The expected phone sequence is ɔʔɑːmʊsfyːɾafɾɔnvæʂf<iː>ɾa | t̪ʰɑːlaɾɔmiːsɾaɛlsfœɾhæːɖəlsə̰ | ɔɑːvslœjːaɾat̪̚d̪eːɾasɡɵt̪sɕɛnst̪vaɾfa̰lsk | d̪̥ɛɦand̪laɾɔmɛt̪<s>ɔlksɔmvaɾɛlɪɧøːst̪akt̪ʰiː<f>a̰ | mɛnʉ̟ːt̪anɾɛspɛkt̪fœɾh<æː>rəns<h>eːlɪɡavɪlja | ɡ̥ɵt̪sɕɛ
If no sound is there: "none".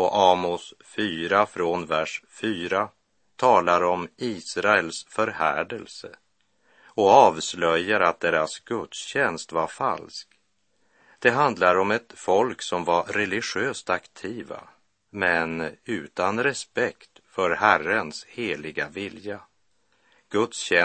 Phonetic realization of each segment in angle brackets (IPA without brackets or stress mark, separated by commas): yː, f, v, æ, h